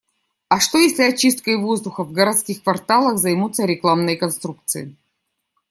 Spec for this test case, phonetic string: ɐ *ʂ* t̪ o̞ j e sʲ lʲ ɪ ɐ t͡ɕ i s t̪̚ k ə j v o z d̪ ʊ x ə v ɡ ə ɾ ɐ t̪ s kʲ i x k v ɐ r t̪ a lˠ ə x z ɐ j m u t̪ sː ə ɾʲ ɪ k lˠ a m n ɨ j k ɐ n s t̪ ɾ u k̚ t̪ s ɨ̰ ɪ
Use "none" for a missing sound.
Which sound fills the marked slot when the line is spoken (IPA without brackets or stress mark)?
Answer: ʂ